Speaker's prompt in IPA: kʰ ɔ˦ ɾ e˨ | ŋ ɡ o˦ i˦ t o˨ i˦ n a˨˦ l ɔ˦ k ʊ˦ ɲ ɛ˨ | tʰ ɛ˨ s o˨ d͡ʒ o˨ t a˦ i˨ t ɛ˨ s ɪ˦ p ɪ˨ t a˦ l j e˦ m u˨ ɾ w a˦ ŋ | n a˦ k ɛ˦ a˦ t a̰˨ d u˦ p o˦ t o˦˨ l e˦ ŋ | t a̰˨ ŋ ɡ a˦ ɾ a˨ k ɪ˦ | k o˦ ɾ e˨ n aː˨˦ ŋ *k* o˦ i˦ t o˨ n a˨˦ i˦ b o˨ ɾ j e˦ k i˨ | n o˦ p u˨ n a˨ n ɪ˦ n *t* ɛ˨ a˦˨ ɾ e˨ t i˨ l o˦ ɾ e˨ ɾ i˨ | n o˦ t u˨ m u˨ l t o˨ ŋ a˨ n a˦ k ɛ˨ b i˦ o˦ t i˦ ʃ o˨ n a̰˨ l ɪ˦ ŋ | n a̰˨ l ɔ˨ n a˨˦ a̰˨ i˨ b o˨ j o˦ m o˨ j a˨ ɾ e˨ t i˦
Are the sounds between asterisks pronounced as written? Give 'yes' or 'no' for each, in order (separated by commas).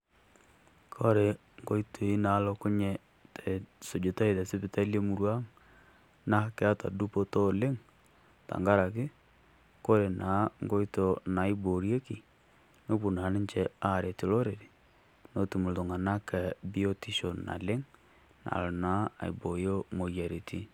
no, no